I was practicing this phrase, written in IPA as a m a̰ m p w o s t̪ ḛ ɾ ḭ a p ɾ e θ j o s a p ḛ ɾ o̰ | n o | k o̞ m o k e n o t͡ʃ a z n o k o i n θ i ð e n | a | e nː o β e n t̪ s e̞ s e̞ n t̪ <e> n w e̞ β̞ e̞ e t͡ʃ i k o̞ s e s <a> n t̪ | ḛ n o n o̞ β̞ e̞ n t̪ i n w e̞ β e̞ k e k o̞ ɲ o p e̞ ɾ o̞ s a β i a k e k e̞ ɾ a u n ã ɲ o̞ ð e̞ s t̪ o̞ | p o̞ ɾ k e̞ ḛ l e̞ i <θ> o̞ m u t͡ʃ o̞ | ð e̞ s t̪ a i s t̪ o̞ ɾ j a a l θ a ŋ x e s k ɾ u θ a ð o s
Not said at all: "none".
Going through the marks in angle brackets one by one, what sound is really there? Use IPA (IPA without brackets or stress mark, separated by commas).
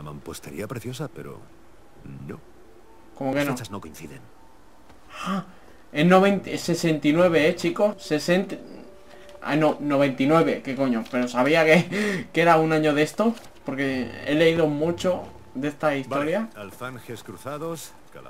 i, e, ð